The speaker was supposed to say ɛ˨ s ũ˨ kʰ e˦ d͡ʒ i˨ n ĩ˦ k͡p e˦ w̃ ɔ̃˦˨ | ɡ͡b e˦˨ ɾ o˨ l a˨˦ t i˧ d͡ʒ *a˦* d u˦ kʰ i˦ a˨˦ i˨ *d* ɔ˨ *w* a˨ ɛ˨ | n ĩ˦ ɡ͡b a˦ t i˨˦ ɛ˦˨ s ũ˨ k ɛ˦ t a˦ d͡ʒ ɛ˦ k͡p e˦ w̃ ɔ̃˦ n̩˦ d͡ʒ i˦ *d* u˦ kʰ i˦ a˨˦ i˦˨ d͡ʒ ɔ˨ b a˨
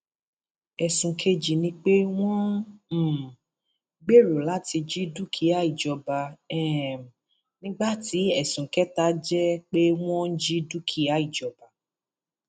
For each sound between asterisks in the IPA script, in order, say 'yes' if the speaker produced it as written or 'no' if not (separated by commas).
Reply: no, no, no, yes